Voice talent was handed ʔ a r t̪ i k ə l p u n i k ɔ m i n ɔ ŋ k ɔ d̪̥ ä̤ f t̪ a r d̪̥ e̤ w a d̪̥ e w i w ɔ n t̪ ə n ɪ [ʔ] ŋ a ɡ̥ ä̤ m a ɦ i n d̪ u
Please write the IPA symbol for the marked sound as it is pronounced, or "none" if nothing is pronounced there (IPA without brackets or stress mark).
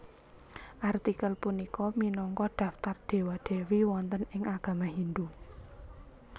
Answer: none